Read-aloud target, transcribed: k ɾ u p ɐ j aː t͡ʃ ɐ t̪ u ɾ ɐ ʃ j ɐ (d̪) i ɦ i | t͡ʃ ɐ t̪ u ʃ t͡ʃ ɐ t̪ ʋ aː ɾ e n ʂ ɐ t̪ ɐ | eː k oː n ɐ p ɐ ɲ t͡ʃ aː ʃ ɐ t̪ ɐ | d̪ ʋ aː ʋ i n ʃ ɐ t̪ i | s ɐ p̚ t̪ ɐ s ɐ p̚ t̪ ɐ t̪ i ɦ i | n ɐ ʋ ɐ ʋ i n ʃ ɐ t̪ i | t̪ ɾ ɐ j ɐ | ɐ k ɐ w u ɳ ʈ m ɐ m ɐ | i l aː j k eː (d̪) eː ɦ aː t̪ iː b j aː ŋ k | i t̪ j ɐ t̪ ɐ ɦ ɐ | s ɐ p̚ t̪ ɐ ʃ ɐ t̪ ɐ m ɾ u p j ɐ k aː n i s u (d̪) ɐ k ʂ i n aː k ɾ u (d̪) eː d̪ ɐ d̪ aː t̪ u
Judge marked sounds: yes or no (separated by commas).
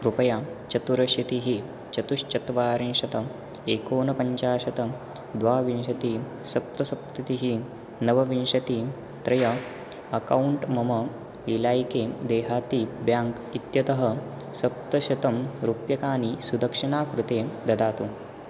no, yes, yes, no